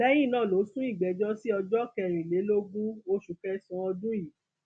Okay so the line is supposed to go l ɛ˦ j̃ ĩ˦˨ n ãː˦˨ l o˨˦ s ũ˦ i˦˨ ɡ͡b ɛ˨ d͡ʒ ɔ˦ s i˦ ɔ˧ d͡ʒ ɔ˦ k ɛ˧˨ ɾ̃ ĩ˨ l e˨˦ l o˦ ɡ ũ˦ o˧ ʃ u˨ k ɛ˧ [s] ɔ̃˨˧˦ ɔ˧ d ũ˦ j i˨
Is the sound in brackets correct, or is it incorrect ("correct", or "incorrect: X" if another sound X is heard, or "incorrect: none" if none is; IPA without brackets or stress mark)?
correct